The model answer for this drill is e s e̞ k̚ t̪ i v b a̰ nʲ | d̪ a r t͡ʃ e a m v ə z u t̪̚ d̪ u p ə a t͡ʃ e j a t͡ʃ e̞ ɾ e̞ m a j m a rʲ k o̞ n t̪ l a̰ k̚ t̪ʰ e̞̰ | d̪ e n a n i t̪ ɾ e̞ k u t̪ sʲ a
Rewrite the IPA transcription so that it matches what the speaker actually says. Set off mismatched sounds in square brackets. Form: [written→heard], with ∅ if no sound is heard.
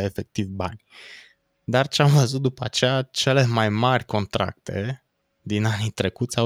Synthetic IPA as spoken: e [s→f] e̞ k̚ t̪ i v b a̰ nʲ | d̪ a r t͡ʃ e a m v ə z u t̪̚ d̪ u p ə a t͡ʃ e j a t͡ʃ e̞ [ɾ→l] e̞ m a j m a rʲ k o̞ n t̪ [l→ɾ] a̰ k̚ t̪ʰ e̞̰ | d̪ [e→i] n a n i t̪ ɾ e̞ k u t̪ sʲ a